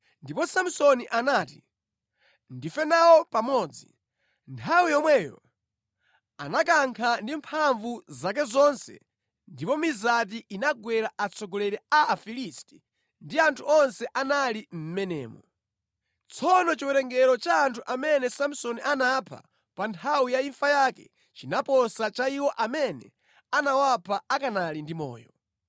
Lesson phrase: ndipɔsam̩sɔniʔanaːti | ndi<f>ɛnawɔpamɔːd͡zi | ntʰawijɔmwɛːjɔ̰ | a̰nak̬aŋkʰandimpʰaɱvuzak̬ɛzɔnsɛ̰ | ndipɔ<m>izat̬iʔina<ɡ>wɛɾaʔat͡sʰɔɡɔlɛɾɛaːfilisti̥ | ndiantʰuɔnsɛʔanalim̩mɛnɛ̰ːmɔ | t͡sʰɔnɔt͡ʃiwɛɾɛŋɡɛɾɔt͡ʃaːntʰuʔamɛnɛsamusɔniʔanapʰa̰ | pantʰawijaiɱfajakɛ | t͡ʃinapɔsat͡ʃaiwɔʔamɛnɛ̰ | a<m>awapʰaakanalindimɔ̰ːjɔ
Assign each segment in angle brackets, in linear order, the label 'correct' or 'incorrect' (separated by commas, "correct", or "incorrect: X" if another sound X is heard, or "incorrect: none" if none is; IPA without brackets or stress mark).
correct, correct, correct, incorrect: n